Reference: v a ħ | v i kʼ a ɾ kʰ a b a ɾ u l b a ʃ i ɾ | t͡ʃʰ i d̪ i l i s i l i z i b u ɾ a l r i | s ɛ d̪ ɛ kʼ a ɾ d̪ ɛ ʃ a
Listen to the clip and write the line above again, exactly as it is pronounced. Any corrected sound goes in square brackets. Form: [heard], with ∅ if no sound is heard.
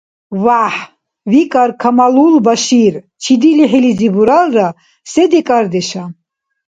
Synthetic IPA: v a ħ | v i kʼ a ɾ kʰ a [m] a [l] u l b a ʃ i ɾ | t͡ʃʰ i d̪ i l i [ħ] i l i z i b u ɾ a l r [a] | s ɛ d̪ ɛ kʼ a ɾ d̪ ɛ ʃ a